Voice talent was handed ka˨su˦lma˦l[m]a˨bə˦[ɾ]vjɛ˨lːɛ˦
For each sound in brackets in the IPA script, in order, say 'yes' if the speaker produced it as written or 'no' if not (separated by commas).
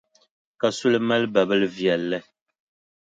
no, no